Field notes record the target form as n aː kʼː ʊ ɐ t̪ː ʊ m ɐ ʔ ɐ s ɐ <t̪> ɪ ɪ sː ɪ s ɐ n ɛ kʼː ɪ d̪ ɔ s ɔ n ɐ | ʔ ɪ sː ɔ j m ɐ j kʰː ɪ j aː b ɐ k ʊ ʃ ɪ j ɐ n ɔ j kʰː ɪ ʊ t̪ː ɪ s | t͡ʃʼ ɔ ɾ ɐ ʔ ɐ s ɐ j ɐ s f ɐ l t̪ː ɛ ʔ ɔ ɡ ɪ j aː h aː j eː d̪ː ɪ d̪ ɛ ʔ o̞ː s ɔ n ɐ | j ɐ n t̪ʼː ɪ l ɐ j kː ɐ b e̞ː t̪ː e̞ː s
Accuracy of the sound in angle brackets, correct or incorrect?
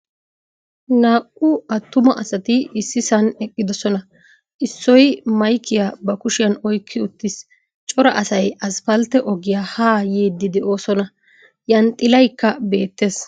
correct